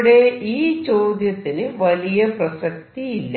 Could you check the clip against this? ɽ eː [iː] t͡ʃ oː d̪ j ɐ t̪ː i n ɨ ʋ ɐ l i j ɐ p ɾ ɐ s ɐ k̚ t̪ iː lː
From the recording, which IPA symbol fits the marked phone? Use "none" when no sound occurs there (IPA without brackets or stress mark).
iː